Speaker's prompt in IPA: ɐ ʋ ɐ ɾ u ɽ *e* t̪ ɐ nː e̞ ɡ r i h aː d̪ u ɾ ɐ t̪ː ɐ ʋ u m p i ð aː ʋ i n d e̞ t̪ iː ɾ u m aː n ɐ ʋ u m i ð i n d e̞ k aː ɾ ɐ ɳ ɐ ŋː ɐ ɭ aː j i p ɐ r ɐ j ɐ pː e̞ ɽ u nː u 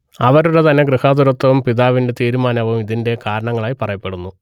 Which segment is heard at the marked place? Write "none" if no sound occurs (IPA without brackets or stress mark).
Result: e